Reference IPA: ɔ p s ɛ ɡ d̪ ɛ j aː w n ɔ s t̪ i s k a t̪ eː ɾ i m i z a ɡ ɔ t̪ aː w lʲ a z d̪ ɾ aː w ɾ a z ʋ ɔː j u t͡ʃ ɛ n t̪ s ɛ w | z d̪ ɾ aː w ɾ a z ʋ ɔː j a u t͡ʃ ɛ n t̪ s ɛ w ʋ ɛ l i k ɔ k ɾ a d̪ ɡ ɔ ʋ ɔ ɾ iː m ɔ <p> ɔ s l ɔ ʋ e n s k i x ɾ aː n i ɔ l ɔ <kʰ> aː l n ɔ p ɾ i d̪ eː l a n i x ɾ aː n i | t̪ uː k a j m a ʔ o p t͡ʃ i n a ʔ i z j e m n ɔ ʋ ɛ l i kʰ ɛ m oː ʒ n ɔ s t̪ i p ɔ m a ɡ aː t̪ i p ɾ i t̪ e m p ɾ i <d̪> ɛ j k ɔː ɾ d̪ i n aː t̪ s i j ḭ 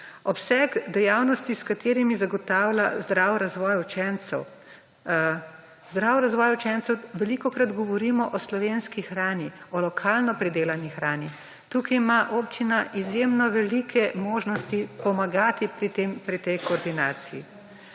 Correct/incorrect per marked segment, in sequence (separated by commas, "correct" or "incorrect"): incorrect, correct, incorrect